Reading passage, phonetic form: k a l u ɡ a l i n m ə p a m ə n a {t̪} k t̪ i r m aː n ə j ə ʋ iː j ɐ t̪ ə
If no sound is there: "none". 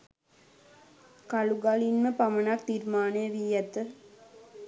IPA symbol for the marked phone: none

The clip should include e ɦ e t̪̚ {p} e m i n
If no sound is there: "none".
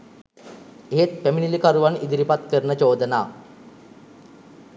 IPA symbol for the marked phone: p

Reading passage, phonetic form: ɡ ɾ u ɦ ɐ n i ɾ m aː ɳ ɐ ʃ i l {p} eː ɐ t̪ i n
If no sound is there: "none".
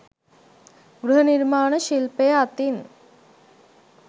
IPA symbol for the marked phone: p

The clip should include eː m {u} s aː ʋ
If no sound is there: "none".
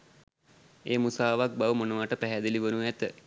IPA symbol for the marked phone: u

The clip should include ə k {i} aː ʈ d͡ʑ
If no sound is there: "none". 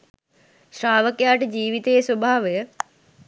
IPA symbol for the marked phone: j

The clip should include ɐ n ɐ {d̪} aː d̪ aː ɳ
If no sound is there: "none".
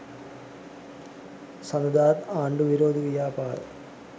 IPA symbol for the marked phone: d̪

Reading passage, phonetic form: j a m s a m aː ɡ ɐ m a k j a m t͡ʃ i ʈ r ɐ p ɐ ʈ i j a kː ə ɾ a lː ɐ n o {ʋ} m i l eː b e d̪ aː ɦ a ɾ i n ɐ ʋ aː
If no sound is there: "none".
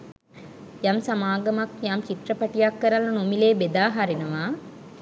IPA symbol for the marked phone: none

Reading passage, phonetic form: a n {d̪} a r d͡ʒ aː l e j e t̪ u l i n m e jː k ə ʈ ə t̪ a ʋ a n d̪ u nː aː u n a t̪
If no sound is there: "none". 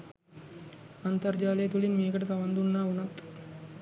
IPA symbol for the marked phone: t̪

